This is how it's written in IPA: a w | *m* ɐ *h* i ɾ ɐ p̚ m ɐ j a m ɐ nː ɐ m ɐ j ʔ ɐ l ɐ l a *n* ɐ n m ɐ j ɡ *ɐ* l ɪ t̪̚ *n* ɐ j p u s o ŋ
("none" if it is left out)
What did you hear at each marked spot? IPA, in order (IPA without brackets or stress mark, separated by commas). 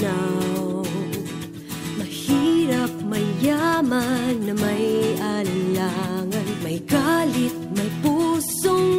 m, h, ŋ, a, m